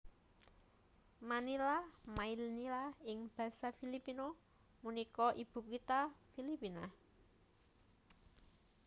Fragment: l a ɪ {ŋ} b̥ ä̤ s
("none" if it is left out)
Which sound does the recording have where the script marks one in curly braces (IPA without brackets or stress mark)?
ŋ